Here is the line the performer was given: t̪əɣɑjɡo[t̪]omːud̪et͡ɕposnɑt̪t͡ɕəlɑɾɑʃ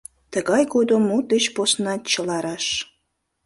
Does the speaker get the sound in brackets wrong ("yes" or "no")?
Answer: yes